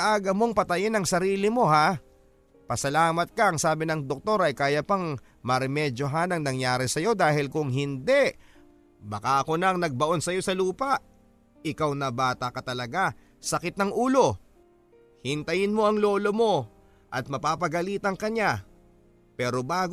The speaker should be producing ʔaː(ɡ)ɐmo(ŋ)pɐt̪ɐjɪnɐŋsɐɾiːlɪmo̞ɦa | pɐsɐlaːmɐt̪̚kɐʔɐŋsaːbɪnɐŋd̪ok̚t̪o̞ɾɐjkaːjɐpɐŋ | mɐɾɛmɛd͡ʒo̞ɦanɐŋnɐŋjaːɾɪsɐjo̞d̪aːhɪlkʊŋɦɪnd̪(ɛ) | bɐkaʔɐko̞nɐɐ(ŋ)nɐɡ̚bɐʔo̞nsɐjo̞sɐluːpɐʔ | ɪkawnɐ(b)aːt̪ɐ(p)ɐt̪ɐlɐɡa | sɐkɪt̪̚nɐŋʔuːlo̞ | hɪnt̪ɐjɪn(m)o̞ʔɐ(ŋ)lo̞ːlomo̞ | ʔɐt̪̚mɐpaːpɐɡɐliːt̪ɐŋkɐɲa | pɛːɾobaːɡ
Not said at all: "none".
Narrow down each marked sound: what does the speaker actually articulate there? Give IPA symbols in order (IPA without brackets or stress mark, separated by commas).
ɡ, ŋ, ɛ, ŋ, b, k, m, ŋ